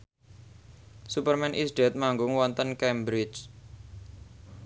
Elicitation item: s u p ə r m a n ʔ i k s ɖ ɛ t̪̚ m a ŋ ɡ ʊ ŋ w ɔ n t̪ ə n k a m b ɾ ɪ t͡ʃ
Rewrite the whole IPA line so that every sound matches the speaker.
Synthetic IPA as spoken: s u p ə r m ɛ n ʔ i s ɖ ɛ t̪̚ m a ŋ ɡ ʊ ŋ w ɔ n t̪ ə n k ɛ m b ɾ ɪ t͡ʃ